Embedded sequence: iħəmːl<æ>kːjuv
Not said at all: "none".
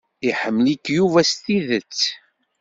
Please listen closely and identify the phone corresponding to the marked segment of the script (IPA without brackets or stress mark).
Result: i